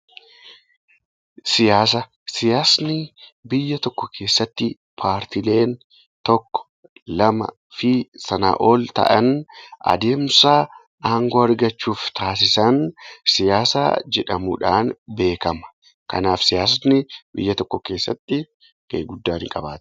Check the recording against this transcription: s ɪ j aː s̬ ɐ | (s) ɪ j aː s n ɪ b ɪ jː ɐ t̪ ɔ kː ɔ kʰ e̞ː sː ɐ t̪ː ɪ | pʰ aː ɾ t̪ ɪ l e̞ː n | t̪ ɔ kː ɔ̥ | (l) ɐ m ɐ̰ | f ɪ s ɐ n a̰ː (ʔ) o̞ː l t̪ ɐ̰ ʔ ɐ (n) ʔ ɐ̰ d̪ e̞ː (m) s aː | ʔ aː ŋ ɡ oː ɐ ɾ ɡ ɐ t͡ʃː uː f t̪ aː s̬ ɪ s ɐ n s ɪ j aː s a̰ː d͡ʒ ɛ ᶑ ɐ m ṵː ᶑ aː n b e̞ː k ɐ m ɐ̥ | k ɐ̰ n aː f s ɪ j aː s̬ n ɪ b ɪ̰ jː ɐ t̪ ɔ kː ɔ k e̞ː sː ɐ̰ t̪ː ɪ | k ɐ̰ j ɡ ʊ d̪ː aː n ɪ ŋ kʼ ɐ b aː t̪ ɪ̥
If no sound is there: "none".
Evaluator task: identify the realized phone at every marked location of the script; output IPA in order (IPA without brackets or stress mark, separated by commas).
s, l, ʔ, n, m